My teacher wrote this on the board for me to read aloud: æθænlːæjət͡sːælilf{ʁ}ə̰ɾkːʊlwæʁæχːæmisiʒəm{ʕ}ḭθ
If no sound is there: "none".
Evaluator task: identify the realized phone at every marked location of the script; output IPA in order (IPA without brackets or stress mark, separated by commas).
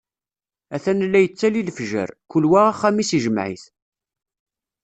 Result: ʒ, ʕ